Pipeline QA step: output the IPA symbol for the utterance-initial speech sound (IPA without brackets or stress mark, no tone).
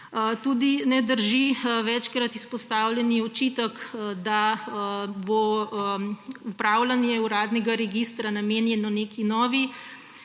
t̪